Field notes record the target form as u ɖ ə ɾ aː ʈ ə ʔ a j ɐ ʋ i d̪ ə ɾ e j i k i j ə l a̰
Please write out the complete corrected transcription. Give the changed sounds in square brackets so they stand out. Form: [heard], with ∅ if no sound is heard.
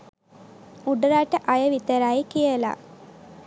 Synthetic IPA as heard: u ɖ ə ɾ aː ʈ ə ʔ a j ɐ ʋ i [t̪] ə ɾ [a] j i k i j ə l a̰